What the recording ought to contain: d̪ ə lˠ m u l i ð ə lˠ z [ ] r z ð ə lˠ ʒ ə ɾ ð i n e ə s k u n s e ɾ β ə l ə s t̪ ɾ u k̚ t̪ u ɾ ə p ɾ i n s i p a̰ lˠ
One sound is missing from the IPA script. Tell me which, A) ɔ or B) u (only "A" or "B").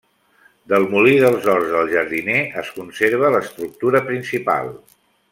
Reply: A